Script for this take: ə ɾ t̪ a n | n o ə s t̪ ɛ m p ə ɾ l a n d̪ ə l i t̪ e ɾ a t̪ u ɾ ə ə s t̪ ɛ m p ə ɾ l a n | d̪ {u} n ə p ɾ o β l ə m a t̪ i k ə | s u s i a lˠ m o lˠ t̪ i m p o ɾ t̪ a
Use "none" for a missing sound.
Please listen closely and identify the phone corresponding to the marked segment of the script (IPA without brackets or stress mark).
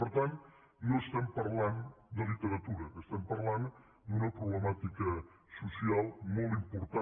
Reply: u